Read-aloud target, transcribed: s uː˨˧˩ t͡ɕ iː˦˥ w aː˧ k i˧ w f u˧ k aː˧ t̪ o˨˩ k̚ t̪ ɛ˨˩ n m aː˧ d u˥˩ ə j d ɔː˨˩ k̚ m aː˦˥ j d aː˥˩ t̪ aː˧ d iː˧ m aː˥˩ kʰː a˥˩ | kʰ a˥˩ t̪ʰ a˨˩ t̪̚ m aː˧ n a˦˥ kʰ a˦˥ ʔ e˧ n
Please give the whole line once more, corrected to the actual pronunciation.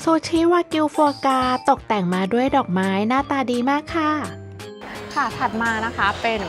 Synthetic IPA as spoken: s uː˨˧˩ t͡ɕʰ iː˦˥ w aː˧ k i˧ w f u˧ k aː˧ t̪ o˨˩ k̚ t̪ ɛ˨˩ ŋ m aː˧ d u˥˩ ə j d ɔː˨˩ k̚ m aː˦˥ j n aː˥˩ t̪ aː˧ d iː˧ m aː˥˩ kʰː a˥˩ | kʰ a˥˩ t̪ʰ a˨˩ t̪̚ m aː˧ n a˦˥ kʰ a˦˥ p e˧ n